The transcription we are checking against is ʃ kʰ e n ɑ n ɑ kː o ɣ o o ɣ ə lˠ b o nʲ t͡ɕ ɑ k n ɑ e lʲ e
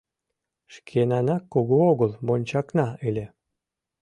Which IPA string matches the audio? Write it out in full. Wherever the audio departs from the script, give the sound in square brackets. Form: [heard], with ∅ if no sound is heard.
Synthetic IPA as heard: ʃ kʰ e n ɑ n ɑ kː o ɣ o o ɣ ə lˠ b o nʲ t͡ɕ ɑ k n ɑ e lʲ e